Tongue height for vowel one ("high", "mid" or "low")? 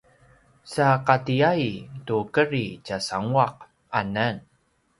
low